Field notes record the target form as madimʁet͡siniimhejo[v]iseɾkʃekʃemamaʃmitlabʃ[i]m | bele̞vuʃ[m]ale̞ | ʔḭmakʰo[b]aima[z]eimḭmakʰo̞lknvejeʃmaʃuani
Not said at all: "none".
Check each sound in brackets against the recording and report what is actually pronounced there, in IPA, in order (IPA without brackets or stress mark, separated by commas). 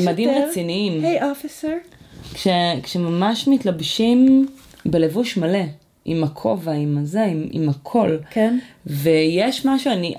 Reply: f, i, m, v, z